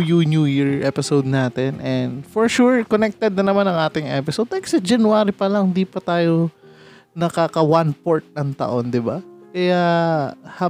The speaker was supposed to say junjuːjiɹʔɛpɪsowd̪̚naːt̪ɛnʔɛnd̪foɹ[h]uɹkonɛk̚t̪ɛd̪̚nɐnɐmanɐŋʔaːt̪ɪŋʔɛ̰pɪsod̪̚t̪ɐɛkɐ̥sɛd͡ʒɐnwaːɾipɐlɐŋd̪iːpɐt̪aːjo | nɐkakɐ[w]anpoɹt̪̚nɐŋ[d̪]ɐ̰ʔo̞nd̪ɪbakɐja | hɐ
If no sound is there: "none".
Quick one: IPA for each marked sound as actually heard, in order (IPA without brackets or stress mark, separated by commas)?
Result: ʃ, w, t̪